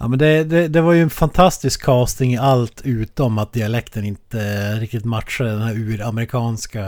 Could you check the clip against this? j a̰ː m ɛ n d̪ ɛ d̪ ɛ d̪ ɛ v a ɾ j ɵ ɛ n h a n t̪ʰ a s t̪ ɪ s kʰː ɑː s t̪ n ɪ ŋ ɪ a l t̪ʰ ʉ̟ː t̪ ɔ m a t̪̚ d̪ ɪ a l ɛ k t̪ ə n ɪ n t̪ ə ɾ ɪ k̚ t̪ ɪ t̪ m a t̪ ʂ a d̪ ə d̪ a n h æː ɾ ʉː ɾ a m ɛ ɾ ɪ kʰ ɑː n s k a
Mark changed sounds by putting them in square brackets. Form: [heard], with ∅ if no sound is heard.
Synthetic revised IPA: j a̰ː m ɛ n d̪ ɛ d̪ ɛ d̪ ɛ v a ɾ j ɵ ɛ n [f] a n t̪ʰ a s t̪ ɪ s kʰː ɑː s t̪ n ɪ ŋ ɪ a l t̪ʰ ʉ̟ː t̪ ɔ m a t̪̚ d̪ ɪ a l ɛ k t̪ ə n ɪ n t̪ ə ɾ ɪ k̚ t̪ ɪ t̪ m a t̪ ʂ a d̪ ə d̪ [ɛ] n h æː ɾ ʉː ɾ a m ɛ ɾ ɪ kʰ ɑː n s k a